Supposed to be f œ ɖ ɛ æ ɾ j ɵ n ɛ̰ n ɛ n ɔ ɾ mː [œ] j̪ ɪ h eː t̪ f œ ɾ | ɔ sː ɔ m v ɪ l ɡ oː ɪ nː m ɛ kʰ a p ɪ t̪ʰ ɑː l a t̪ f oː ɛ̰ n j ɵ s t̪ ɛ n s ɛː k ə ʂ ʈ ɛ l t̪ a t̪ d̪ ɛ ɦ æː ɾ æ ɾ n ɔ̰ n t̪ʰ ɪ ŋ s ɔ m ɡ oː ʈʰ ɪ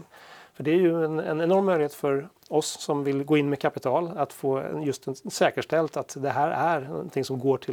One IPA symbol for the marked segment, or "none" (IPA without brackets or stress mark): œ